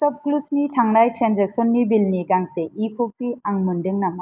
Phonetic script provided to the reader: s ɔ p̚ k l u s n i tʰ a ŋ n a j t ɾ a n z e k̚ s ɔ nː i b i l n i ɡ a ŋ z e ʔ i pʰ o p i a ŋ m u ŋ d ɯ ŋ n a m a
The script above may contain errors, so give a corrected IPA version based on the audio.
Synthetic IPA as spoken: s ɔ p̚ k l u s n i tʰ a ŋ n a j t ɾ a n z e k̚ s ɔ nː i b i l n i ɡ a ŋ s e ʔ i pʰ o p i a ŋ m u n d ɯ ŋ n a m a

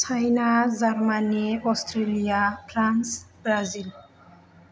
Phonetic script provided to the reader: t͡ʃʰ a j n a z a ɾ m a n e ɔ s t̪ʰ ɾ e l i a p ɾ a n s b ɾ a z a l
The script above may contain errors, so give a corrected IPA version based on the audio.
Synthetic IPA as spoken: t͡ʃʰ a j n a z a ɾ m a n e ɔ s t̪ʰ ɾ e l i a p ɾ a n s b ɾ a z i l

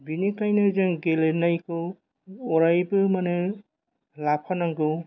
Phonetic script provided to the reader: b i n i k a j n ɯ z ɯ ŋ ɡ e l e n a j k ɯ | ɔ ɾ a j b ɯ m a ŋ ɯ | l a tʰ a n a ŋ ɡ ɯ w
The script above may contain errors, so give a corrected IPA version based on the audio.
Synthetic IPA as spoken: b i n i k a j n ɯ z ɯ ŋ ɡ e l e n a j k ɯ | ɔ ɾ a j b ɯ m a n ɯ | l a pʰ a n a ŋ ɡ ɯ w

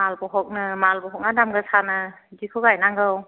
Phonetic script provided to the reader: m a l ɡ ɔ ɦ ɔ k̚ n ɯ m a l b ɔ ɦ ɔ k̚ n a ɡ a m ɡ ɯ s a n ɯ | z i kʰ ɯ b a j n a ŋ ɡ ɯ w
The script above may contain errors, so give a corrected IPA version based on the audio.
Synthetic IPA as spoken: m a l b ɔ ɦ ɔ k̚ n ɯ m a l b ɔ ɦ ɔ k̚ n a d a m ɡ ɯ s a n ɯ | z i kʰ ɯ ɡ a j n a ŋ ɡ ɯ w

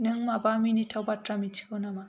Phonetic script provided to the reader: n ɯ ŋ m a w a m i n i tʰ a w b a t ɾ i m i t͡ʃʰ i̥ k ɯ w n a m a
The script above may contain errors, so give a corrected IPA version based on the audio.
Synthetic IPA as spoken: n ɯ ŋ m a b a m i n i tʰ a w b a t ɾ a m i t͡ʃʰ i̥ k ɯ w n a m a

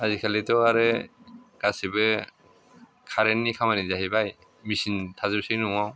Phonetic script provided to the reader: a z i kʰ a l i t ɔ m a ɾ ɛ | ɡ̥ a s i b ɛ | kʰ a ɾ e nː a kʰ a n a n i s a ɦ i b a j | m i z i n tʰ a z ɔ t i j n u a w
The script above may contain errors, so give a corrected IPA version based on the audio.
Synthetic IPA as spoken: a z i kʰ a l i t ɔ a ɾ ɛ | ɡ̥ a s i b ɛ | kʰ a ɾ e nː i kʰ a m a n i z a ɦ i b a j | m i s i n tʰ a z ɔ s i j n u a w

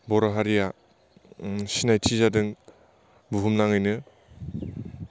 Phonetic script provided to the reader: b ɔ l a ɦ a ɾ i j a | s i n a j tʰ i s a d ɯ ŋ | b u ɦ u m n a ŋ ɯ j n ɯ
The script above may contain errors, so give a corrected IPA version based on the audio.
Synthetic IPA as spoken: b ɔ ɾ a ɦ a ɾ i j a | s i n a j tʰ i z a d ɯ ŋ | b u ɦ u m n a ŋ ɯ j n ɯ

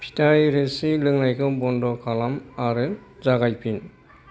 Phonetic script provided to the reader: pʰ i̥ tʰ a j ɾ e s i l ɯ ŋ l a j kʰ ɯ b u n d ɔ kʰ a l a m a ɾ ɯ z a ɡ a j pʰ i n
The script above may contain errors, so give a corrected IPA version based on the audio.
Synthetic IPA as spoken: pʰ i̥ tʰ a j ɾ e s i l ɯ ŋ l a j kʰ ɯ b ɔ n d ɔ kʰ a l a m a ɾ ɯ z a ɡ a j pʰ i n

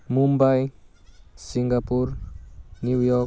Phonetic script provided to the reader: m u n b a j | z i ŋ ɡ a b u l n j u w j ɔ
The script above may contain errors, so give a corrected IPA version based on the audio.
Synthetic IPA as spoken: m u m b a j | s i ŋ ɡ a p u ɾ n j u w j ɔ

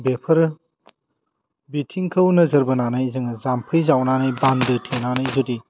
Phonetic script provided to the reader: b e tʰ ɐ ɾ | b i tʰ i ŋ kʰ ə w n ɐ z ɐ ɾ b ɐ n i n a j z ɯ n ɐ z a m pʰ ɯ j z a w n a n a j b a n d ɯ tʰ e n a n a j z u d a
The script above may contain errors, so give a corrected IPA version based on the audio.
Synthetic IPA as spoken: b e pʰ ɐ ɾ | b i tʰ i ŋ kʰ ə w n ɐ z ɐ ɾ b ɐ n a n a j z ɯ ŋ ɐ z a m pʰ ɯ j z a w n a n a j b a n d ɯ tʰ e n a n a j z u d i

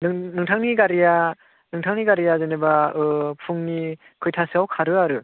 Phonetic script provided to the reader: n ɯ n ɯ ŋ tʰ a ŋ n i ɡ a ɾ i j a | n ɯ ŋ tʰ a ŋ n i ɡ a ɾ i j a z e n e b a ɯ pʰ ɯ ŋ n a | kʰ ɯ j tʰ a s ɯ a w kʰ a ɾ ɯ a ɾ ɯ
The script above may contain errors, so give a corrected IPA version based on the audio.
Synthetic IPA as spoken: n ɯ n ɯ ŋ tʰ a ŋ n i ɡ a ɾ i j a | n ɯ ŋ tʰ a ŋ n i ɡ a ɾ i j a z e n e b a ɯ pʰ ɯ ŋ n i | kʰ ɯ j tʰ a s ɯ a w kʰ a ɾ ɯ a ɾ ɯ

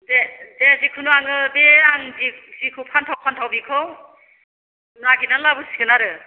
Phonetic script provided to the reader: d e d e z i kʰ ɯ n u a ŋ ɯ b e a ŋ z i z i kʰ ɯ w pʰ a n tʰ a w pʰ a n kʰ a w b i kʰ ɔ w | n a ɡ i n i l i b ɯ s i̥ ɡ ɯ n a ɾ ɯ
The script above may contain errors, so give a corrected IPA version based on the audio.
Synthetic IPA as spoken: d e d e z i kʰ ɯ n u a ŋ ɯ b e a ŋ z i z i kʰ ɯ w pʰ a n tʰ a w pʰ a n tʰ a w b i kʰ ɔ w | n a ɡ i n a l a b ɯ s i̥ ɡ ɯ n a ɾ ɯ

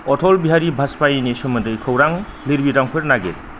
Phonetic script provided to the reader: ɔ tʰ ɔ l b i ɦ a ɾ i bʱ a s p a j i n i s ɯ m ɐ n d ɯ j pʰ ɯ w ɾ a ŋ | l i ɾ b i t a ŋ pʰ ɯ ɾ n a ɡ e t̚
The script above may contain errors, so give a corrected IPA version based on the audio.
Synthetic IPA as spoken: ɔ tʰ ɔ l b i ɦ a ɾ i bʱ a s p a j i n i s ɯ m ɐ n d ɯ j kʰ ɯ w ɾ a ŋ | l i ɾ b i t a ŋ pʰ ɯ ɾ n a ɡ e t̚

